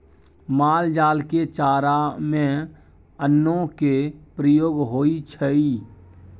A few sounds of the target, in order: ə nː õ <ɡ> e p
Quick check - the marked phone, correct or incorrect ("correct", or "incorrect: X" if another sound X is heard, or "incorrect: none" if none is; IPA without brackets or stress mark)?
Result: incorrect: k